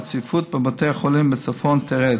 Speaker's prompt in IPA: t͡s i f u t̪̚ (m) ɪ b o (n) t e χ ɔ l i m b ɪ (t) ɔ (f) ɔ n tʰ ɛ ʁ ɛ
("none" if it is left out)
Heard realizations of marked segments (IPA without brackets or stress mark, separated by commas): b, none, t͡s, f